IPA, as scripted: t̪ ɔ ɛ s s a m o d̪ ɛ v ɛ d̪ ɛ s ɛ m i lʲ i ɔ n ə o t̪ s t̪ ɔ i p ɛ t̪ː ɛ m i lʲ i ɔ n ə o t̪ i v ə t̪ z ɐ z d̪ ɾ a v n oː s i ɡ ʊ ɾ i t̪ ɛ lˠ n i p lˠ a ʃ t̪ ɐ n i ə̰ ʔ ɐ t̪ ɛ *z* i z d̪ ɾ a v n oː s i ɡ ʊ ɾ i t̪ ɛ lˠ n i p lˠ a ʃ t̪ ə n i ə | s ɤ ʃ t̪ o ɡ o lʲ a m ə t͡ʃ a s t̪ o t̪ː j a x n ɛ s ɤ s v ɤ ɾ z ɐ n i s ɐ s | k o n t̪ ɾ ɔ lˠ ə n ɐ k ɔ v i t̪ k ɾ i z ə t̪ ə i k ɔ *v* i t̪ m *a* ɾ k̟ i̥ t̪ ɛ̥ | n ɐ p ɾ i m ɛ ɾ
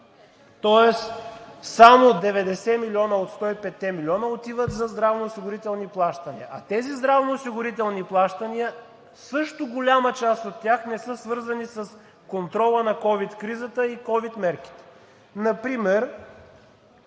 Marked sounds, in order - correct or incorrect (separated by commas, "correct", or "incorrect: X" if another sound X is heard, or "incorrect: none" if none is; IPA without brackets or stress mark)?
correct, correct, incorrect: ɛ